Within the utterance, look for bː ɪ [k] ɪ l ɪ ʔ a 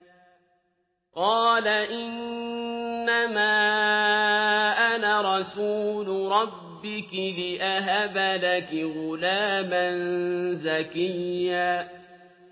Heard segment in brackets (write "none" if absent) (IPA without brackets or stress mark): k